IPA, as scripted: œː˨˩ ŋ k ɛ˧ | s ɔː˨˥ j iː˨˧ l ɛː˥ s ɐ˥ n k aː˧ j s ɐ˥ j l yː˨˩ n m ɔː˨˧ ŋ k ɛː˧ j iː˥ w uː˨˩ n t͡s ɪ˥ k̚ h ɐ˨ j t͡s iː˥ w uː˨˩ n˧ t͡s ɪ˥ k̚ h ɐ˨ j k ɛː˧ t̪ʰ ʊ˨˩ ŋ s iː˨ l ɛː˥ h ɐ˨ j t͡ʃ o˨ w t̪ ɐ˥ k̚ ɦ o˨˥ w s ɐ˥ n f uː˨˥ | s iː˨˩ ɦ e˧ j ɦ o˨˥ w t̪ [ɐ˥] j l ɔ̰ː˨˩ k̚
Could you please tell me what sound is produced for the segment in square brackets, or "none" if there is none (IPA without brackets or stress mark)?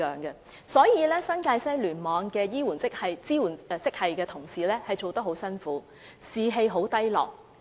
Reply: ɐ˥